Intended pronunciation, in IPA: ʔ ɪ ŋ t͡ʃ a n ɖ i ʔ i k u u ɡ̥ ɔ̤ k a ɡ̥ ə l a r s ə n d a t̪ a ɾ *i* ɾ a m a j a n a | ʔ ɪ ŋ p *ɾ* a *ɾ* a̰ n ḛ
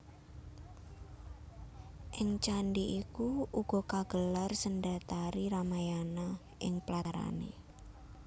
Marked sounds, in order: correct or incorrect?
correct, incorrect, correct

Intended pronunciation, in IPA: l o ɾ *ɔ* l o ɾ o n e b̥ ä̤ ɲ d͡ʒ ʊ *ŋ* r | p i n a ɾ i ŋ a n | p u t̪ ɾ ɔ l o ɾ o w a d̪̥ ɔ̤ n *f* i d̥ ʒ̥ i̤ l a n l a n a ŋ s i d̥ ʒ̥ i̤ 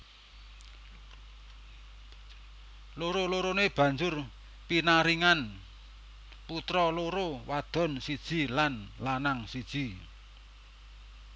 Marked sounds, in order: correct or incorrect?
incorrect, incorrect, incorrect

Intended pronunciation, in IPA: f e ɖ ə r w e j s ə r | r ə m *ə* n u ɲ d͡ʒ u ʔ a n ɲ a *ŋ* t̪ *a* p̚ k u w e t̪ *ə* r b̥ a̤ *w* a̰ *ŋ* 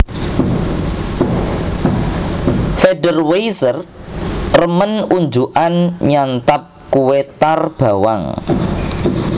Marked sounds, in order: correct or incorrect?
correct, incorrect, correct, incorrect, correct, correct

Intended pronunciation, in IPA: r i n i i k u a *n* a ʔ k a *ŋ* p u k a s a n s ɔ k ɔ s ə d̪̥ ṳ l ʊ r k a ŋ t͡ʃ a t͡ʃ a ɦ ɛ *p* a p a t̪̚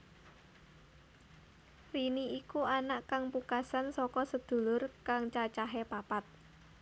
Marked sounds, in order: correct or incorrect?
correct, correct, correct

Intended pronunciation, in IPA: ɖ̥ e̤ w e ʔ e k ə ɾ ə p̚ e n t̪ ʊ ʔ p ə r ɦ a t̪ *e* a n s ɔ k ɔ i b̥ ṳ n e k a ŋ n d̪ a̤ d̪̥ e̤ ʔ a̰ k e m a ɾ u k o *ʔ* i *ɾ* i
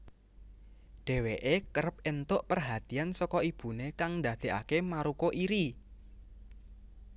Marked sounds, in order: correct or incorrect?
incorrect, correct, correct

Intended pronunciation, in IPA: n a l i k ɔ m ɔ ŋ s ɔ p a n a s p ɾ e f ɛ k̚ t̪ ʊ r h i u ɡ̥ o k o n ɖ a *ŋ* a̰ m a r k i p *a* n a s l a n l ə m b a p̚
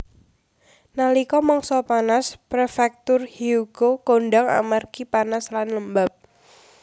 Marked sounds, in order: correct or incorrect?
correct, correct

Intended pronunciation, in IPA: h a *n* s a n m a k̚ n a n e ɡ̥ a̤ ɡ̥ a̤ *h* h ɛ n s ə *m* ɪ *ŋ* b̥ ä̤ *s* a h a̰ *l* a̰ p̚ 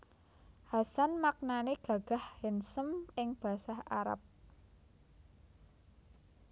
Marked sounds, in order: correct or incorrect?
incorrect, correct, correct, correct, correct, incorrect

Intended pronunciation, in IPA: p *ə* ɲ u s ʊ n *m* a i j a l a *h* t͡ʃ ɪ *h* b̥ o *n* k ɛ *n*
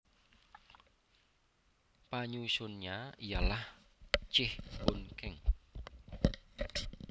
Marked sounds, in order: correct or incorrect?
incorrect, incorrect, correct, correct, correct, incorrect

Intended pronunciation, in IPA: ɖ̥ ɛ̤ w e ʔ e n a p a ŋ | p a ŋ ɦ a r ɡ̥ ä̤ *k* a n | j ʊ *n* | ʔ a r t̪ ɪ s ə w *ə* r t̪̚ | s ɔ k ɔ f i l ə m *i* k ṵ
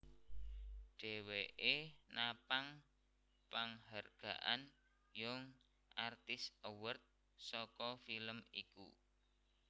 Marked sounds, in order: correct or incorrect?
incorrect, incorrect, correct, correct

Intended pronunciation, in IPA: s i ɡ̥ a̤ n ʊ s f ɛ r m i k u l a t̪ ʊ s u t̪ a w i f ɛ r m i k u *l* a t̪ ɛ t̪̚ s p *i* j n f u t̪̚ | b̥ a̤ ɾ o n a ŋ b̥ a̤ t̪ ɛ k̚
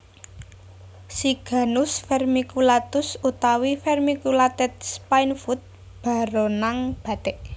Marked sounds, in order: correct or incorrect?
correct, incorrect

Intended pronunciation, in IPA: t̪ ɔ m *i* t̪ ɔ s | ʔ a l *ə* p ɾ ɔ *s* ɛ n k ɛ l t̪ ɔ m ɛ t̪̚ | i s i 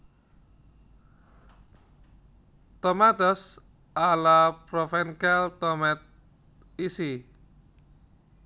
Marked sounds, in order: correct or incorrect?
incorrect, incorrect, incorrect

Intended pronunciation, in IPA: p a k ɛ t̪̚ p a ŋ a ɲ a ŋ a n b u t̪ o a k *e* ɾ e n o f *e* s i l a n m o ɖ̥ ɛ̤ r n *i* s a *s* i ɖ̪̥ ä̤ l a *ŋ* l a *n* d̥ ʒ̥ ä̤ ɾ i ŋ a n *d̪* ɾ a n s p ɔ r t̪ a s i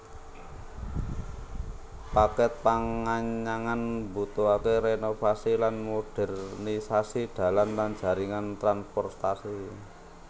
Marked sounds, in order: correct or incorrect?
correct, incorrect, correct, correct, incorrect, correct, incorrect

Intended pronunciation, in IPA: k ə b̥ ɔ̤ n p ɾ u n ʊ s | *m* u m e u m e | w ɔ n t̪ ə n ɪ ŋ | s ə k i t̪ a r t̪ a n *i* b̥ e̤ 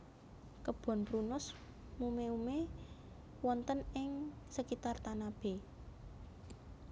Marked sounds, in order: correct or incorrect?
correct, incorrect

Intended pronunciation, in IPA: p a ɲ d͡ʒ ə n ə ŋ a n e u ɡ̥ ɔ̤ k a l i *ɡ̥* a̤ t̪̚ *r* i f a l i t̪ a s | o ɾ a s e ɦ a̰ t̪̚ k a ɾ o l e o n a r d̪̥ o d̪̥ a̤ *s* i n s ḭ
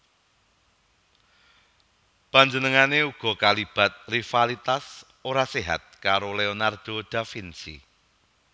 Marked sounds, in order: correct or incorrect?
incorrect, correct, incorrect

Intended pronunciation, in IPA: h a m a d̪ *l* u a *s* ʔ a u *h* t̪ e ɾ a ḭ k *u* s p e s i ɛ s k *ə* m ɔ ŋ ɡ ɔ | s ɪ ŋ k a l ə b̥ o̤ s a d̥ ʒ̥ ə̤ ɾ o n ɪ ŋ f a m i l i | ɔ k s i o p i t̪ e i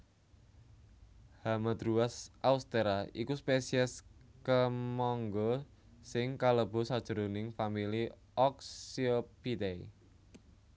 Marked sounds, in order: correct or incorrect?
incorrect, correct, incorrect, correct, correct

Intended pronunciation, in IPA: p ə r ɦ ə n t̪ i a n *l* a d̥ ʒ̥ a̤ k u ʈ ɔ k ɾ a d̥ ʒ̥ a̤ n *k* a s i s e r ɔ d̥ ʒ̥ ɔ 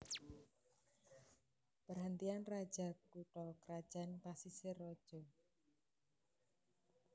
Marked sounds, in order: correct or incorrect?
incorrect, incorrect

